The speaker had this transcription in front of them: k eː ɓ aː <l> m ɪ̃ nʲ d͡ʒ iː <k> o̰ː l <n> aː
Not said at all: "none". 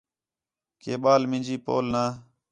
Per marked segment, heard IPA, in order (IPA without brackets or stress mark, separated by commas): l, p, n